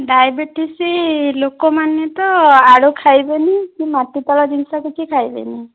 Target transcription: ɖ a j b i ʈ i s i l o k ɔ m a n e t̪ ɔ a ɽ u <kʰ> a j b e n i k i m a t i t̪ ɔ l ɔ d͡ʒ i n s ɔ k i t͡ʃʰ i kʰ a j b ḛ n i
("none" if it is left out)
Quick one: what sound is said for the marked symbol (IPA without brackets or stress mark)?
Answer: kʰ